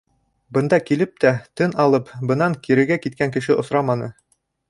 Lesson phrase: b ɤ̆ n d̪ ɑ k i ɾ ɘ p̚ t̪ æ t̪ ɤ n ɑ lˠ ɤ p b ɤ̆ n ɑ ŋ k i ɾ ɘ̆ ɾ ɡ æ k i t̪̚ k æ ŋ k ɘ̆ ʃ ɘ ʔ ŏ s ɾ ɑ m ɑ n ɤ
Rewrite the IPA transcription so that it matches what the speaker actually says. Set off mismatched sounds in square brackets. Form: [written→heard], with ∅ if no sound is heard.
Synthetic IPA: b ɤ̆ n d̪ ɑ k i [ɾ→l] ɘ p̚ t̪ æ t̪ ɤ n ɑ lˠ ɤ p b ɤ̆ n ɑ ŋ k i ɾ ɘ̆ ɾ ɡ æ k i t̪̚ k æ ŋ k ɘ̆ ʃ ɘ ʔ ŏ s ɾ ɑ m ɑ n ɤ